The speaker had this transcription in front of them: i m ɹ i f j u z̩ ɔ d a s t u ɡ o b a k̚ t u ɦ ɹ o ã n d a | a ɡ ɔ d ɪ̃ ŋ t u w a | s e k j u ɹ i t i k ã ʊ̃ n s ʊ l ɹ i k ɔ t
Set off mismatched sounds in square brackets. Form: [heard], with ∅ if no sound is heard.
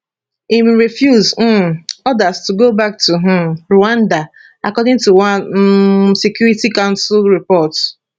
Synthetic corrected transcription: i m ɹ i f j u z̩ ɔ d a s t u ɡ o b a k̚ t u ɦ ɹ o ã n d a | a [k] ɔ d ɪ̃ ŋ t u w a | s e k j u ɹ i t i k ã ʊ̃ n s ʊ l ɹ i [p] ɔ t

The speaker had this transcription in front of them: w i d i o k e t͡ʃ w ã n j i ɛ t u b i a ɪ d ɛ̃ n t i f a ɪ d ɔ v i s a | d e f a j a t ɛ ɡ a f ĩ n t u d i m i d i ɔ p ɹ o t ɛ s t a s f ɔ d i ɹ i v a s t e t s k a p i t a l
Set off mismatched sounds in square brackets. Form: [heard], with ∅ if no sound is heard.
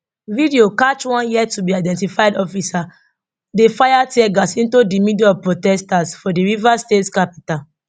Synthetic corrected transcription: [v] i d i o k [a] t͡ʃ w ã n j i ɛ t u b i a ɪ d ɛ̃ n t i f a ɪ d ɔ [f] i s a | d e f a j a t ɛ ɡ a [s] ĩ n t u d i m i d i ɔ p ɹ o t ɛ s t a s f ɔ d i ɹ i v a s t e t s k a p i t a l

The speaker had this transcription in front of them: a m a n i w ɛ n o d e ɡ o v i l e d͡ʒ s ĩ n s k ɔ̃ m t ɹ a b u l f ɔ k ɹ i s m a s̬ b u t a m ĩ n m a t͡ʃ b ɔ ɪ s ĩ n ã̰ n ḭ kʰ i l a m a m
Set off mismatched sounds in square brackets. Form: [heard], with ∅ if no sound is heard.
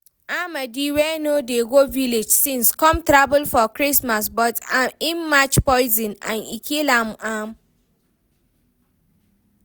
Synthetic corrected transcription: a m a [d] i w ɛ n o d e ɡ o v i l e d͡ʒ s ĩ n s k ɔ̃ m t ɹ a b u l f ɔ k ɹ i s m a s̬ b [ɔ] t a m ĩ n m a t͡ʃ [p] ɔ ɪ [z] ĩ n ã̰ n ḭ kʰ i l a m a m

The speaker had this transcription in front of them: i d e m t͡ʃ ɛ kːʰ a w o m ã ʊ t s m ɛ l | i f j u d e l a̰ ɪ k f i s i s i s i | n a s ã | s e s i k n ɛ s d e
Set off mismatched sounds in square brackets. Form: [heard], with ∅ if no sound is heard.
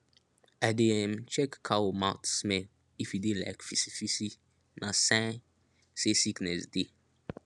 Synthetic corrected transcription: [a] d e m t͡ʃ ɛ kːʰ a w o m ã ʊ t s m ɛ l | i f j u d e l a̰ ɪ k f i s i [f] i s i | n a s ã | s e s i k n ɛ s d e

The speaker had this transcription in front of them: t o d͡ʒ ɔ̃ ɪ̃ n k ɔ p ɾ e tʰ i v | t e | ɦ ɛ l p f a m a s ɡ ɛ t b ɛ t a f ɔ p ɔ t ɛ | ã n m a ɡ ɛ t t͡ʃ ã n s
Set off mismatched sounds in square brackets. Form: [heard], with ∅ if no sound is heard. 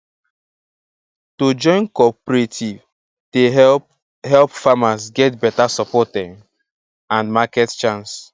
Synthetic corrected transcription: t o d͡ʒ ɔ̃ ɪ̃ n k ɔ p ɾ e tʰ i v | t e | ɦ ɛ l p f a m a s ɡ ɛ t b ɛ t a [s] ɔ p ɔ t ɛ | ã n m a [k] ɛ t t͡ʃ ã n s

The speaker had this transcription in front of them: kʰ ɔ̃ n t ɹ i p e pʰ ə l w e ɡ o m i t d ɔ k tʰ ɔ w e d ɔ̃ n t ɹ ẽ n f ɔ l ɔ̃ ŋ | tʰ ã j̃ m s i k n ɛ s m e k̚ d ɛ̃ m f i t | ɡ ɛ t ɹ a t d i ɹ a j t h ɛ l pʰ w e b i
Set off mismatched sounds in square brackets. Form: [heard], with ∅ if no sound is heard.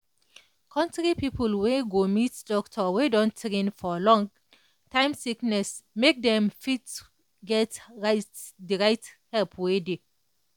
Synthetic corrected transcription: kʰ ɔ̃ n t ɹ i p [i] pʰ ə l w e ɡ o m i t d ɔ k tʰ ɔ w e d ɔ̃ n t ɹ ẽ n f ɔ l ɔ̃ ŋ | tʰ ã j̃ m s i k n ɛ s m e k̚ d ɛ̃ m f i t | ɡ ɛ t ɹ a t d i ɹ a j t h ɛ l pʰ w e [d] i

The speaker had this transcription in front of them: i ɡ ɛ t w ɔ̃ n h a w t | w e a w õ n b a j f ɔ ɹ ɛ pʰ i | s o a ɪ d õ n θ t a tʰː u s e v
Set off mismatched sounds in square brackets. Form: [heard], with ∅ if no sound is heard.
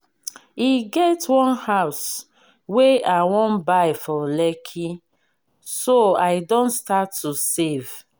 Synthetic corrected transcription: i ɡ ɛ t w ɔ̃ n h a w [s] | w e a w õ n b a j f ɔ [l] ɛ [kʰ] i | s o a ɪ d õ n [s] t a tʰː u s e v

